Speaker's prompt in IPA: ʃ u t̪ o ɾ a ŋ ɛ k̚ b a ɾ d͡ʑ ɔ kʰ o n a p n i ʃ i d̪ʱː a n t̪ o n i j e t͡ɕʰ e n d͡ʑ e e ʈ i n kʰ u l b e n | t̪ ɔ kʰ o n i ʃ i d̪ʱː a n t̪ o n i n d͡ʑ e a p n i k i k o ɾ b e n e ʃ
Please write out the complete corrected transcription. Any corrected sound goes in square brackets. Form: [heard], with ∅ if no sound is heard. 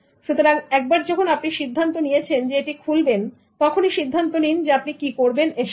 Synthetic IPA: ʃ u t̪ o ɾ a ŋ ɛ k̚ b a ɾ d͡ʑ ɔ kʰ o n a p n i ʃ i d̪ʱː a n t̪ o n i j e t͡ɕʰ e n d͡ʑ e e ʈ i [∅] kʰ u l b e n | t̪ ɔ kʰ o n i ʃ i d̪ʱː a n t̪ o n i n d͡ʑ e a p n i k i k o ɾ b e n e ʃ

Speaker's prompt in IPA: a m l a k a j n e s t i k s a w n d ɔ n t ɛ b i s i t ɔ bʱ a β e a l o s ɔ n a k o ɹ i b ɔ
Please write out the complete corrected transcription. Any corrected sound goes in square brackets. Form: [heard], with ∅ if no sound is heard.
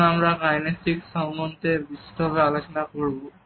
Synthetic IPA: a m [ɹ] a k a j n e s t i k s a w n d ɔ n t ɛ b i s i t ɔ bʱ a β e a l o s ɔ n a k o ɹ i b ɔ

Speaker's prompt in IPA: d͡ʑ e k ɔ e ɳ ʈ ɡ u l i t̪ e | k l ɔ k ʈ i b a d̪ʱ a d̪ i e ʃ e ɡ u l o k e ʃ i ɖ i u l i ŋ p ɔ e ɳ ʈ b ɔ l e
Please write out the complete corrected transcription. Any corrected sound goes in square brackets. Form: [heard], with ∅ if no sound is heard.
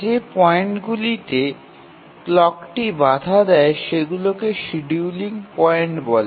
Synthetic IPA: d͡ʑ e [p] ɔ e ɳ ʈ ɡ u l i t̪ e | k l ɔ k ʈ i b a d̪ʱ a d̪ [ɛ] e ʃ e ɡ u l o k e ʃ i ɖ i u l i ŋ p ɔ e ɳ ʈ b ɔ l e

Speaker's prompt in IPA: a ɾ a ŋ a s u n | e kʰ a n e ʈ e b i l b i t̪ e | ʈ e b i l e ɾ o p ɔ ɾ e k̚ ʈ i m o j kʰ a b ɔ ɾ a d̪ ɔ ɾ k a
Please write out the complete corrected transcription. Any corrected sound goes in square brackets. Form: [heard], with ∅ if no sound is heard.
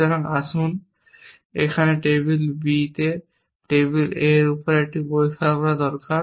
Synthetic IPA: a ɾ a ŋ a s u n | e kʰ a n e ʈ e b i l b i t̪ e | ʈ e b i l e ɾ [u] p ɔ ɾ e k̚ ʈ i [b] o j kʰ a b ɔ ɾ a d̪ ɔ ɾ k a

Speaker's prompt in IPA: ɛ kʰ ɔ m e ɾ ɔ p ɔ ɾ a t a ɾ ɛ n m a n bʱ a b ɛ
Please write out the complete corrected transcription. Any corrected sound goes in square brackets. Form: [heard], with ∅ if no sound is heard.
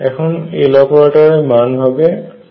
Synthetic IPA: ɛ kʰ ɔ [n] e [l] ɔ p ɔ [ɹ] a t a [ɹ] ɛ [∅] m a n bʱ a b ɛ

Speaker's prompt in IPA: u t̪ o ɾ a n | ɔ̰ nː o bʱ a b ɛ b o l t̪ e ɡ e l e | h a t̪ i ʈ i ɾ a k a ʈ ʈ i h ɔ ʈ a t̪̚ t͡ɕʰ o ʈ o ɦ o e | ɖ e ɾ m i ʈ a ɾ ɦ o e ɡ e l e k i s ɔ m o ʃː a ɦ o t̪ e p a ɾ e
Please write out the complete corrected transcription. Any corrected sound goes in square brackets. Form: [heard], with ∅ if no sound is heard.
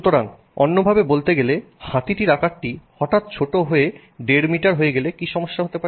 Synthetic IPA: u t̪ o ɾ a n | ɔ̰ nː o bʱ a b [e] b o l t̪ e ɡ e l e | h a t̪ i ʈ i ɾ a k a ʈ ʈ i h ɔ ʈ a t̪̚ t͡ɕʰ o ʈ o ɦ o e | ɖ e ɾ m i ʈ a ɾ ɦ o e ɡ e l e k i [ʃ] ɔ m o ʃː a ɦ o t̪ e p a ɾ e

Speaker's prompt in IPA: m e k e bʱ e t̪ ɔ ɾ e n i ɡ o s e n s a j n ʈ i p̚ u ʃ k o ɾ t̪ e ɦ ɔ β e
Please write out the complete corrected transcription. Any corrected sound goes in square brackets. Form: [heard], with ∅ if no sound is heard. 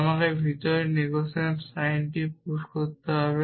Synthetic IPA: m [a] k e bʱ [i] t̪ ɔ ɾ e n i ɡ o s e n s a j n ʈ i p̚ u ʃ k o ɾ t̪ e ɦ ɔ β e

